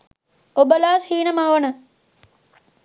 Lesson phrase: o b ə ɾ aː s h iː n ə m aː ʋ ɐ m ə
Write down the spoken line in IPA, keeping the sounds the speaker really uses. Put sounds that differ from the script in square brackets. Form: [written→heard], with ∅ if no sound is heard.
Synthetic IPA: o b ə [ɾ→l] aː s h iː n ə m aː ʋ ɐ [m→n] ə

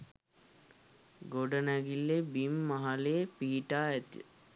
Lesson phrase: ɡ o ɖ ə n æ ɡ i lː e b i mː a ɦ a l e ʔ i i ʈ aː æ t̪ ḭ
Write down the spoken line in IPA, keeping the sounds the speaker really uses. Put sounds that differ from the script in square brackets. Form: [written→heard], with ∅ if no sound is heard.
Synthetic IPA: ɡ o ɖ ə n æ ɡ i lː e b i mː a ɦ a l e [ʔ→p] i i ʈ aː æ t̪ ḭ

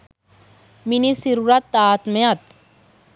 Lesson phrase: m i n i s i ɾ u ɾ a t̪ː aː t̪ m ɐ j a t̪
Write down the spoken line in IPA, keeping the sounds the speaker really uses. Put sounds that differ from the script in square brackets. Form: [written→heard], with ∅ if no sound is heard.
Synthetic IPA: m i n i s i ɾ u ɾ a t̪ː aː t̪ m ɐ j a t̪

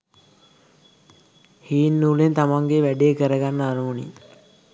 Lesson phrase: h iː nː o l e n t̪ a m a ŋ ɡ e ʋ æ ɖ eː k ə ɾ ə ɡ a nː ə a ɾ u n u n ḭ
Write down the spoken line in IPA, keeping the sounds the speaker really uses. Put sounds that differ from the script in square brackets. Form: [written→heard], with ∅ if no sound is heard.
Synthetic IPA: h iː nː [o→u] l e n t̪ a m a ŋ ɡ e ʋ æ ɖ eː k ə ɾ ə ɡ a nː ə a ɾ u [n→m] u n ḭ

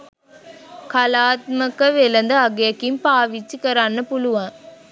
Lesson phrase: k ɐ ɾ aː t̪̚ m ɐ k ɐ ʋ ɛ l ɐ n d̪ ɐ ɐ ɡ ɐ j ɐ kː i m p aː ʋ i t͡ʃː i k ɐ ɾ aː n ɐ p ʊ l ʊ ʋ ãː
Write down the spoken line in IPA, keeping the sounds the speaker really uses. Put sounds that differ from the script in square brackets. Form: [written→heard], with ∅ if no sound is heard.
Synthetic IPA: k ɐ [ɾ→l] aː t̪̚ m ɐ k ɐ ʋ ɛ l ɐ n d̪ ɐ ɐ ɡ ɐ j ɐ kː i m p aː ʋ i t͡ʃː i k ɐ ɾ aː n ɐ p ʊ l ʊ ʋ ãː

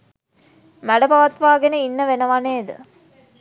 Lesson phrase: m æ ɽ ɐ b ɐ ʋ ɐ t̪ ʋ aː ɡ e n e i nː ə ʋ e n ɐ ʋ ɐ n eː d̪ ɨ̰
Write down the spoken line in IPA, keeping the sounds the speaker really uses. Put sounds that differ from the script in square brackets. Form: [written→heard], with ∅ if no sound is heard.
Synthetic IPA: m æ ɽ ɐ b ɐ ʋ ɐ t̪ ʋ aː ɡ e n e i nː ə ʋ e n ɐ ʋ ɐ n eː d̪ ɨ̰

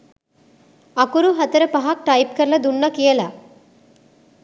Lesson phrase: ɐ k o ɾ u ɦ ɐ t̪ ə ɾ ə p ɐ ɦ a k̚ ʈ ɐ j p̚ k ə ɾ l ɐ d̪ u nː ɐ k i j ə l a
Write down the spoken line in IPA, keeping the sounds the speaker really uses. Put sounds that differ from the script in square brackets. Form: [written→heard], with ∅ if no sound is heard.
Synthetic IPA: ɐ k [o→u] ɾ u ɦ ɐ t̪ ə ɾ ə p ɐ ɦ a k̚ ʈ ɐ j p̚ k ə ɾ l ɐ d̪ u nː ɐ k i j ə l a

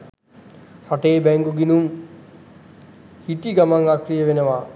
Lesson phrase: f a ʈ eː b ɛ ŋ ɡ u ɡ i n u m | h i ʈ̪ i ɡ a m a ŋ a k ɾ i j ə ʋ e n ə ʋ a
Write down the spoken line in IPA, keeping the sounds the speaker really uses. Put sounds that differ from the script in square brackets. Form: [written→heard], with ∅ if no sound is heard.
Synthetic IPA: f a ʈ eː b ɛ ŋ ɡ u ɡ i n u m | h i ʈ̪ i ɡ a m a ŋ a k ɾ i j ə ʋ e n ə ʋ a

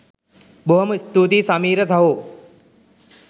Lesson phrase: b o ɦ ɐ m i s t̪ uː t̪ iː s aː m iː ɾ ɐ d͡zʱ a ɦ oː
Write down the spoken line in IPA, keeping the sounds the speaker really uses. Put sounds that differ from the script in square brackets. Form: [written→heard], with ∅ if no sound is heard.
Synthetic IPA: b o ɦ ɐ m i s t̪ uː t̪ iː s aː m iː ɾ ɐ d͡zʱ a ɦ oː

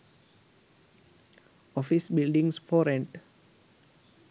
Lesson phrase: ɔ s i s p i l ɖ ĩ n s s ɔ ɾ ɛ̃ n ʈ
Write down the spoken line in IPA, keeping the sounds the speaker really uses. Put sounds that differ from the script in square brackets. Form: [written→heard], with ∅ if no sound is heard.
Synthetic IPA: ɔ [s→f] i s [p→b] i l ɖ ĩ [n→ŋ] s [s→f] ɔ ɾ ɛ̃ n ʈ

